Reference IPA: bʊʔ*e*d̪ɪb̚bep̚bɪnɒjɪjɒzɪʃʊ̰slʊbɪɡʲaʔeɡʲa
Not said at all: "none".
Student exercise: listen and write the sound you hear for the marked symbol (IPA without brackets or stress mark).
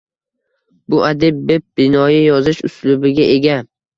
a